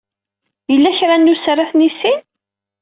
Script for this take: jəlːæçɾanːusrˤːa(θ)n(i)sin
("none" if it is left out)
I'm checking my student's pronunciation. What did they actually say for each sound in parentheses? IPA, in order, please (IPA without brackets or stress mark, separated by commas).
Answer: θ, i